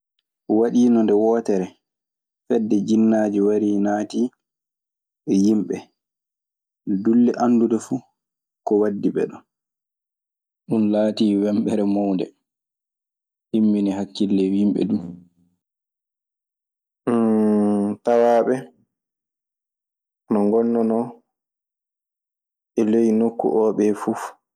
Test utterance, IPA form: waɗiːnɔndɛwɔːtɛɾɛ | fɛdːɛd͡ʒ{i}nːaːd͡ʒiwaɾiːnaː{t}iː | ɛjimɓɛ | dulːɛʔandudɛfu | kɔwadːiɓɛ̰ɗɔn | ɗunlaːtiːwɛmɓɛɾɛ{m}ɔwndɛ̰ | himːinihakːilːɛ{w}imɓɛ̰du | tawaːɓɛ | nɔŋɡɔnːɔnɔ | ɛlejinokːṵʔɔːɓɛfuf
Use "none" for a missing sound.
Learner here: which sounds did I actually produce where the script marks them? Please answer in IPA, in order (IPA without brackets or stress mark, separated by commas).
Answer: i, t, m, w